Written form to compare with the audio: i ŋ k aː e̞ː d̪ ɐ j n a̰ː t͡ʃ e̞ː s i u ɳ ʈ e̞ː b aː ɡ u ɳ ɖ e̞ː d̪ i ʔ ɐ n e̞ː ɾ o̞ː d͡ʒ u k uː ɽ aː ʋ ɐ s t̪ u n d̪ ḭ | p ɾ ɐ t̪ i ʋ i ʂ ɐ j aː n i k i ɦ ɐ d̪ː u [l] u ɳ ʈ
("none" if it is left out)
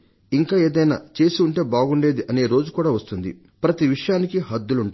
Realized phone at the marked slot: l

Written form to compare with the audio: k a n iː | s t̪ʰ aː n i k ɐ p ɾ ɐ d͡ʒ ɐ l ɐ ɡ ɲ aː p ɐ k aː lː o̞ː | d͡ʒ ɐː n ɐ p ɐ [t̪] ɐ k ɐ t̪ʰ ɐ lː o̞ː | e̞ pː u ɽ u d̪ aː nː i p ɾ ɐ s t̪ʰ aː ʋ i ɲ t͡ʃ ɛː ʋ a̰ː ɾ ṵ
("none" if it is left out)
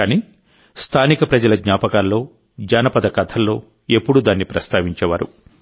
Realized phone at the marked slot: d̪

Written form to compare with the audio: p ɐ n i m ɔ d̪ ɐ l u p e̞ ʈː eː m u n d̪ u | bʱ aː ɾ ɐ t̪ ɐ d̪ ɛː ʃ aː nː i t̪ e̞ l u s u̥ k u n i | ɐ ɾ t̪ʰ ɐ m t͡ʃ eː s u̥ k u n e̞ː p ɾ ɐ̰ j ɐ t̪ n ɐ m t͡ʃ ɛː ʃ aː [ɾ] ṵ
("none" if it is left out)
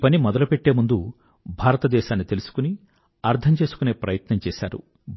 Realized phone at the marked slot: ɾ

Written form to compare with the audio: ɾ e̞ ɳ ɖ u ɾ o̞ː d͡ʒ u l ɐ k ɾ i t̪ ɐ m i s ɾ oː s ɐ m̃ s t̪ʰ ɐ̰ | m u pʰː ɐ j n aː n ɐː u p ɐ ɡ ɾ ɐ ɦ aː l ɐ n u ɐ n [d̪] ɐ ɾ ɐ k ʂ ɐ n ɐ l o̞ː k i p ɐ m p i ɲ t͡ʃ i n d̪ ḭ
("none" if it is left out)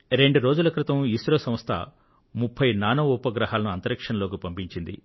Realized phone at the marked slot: t̪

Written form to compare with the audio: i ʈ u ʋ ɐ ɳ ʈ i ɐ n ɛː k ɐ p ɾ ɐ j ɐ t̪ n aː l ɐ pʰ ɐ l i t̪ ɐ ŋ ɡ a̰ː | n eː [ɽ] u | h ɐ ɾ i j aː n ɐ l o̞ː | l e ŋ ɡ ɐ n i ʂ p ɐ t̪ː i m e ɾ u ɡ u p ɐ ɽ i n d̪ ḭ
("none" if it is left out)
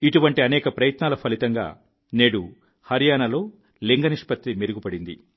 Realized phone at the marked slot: ɽ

